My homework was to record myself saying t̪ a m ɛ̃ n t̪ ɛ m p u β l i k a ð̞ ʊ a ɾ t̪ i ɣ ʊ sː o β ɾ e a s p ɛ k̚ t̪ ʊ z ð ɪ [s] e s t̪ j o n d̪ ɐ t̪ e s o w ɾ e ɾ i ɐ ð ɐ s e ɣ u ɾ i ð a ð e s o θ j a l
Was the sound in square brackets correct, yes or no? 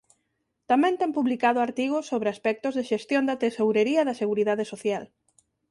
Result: no